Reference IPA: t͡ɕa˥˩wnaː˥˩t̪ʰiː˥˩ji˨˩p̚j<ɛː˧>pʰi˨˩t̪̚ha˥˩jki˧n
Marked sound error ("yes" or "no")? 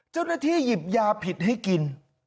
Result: yes